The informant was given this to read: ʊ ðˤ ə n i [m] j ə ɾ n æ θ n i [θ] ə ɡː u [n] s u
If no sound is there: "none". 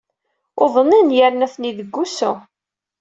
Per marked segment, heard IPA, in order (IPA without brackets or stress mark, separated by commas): n, ð, none